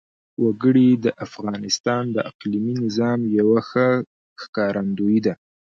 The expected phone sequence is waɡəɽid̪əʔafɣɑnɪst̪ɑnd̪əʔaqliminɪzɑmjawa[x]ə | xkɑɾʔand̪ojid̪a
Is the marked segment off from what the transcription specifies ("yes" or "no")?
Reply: no